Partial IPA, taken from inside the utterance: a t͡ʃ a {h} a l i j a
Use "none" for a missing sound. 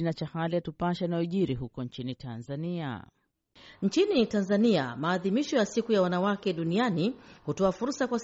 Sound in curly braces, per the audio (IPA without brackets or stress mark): h